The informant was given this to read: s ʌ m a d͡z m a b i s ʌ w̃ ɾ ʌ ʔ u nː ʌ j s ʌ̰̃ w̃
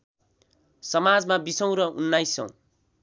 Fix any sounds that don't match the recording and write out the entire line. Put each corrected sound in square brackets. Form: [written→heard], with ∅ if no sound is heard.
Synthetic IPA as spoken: s ʌ m a d͡z m a b i s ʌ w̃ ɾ ʌ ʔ u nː [ʌ→a] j s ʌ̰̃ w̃